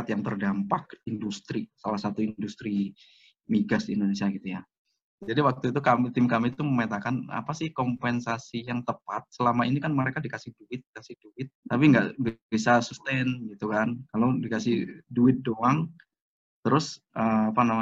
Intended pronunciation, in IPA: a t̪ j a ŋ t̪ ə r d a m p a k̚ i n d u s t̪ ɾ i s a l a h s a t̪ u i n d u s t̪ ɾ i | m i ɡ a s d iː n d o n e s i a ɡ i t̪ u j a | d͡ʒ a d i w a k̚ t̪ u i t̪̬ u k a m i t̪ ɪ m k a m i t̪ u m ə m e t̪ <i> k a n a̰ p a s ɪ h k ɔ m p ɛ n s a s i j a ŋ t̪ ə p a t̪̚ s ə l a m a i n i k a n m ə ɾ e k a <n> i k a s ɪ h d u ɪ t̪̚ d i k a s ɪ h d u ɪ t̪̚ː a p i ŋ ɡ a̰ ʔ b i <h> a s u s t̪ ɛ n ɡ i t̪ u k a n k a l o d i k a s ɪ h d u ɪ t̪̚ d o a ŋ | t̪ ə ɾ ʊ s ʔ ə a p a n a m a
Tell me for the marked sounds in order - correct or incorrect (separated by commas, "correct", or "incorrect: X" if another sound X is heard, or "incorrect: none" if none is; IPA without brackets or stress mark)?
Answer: incorrect: a, incorrect: d, incorrect: s